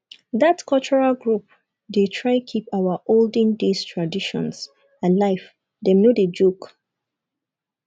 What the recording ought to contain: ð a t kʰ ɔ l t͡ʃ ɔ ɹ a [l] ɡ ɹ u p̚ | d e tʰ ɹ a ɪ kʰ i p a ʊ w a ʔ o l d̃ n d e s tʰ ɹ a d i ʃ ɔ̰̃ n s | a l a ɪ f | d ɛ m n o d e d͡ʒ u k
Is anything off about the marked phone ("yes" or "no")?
no